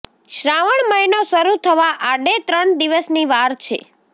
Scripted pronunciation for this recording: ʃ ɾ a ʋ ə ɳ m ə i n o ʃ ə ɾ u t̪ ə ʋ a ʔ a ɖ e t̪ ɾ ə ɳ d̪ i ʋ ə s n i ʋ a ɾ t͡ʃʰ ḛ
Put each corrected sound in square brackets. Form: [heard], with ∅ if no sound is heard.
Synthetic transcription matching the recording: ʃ ɾ a ʋ ə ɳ m ə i n o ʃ ə ɾ u [t̪ʰ] ə ʋ a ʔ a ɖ e t̪ ɾ ə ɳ d̪ i ʋ ə s n i ʋ a ɾ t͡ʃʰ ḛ